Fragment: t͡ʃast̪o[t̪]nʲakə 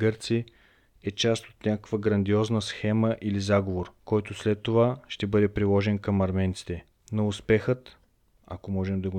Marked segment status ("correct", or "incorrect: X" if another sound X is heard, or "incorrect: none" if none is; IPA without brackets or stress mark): correct